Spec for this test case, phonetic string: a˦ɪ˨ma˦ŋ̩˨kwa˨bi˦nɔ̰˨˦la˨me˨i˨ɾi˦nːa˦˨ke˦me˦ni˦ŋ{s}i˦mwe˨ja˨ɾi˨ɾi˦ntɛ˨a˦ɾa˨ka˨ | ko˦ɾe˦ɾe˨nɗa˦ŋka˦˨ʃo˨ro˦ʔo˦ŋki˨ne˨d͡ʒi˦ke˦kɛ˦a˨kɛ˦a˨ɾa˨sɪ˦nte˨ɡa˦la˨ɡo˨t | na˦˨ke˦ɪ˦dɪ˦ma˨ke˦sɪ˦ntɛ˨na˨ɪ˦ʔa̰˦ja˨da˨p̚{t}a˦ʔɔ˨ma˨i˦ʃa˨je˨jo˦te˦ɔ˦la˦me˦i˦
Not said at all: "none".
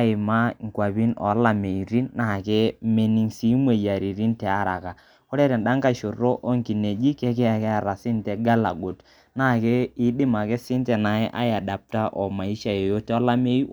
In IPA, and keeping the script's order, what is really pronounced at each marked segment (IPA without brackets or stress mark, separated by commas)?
s, t